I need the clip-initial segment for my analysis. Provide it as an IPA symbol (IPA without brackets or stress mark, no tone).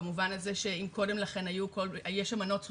m